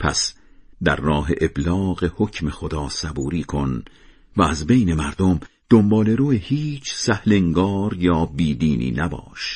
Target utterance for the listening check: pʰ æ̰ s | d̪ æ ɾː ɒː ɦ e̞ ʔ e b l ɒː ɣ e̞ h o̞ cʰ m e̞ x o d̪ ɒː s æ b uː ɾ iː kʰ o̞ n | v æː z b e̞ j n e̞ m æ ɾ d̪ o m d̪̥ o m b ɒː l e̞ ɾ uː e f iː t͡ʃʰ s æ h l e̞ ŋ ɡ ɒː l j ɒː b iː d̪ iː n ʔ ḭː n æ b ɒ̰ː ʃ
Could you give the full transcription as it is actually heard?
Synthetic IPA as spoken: pʰ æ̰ s | d̪ æ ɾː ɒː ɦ e̞ ʔ e b l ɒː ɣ e̞ h o̞ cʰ m e̞ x o d̪ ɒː s æ b uː ɾ iː kʰ o̞ n | v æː z b e̞ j n e̞ m æ ɾ d̪ o m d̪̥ o m b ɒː l e̞ ɾ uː e h iː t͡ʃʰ s æ h l e̞ ŋ ɡ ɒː ɾ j ɒː b iː d̪ iː n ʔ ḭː n æ b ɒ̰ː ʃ